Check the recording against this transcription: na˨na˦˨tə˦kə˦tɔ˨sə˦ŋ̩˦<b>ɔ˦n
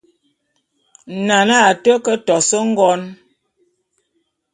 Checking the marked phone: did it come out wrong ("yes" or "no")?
yes